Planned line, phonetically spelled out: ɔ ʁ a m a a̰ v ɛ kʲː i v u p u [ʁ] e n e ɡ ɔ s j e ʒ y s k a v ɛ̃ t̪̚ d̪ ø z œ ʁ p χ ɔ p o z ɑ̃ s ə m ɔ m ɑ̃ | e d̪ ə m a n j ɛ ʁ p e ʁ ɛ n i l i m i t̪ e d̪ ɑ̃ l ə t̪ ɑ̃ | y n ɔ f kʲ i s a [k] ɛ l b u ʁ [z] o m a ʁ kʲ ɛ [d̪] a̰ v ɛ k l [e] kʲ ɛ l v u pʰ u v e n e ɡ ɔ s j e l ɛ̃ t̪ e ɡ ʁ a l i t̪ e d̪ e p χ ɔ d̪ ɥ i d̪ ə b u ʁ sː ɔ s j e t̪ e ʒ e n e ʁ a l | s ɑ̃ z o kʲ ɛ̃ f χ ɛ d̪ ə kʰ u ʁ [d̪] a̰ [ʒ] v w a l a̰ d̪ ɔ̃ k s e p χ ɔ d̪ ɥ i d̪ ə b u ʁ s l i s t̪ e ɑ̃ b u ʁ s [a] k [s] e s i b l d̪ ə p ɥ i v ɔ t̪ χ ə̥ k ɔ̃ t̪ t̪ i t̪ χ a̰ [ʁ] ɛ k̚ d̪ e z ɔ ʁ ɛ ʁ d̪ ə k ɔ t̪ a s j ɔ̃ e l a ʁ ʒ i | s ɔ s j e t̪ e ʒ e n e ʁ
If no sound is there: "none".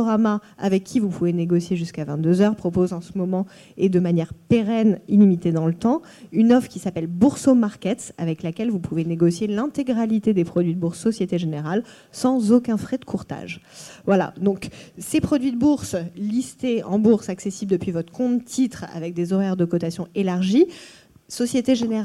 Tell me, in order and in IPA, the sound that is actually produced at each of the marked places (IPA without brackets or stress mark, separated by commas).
v, p, s, t̪, a, t̪, ʒ, a, s, v